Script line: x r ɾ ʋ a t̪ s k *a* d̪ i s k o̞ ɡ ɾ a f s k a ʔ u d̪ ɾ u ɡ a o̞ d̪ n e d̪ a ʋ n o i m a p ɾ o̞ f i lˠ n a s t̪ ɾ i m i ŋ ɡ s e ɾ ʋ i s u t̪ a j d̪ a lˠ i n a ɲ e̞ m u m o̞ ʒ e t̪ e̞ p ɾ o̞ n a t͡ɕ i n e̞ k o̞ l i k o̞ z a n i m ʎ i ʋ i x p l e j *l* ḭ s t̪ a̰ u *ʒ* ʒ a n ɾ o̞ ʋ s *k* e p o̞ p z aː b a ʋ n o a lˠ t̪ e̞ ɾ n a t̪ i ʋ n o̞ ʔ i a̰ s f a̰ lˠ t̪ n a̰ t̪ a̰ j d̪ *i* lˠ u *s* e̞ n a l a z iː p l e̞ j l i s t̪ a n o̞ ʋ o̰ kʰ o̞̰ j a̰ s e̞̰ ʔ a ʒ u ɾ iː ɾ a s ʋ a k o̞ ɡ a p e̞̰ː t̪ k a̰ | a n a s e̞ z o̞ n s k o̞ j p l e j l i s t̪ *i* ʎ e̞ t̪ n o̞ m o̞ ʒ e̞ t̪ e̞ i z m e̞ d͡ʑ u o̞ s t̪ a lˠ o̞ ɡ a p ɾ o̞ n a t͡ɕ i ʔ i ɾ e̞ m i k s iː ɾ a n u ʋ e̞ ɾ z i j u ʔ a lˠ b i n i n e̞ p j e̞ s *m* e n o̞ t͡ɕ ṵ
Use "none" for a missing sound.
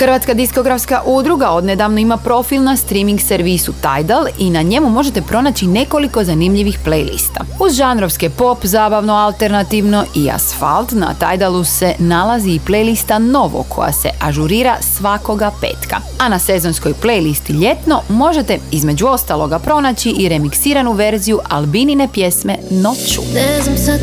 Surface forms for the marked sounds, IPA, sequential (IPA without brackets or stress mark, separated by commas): a, l, z, k, a, s, i, m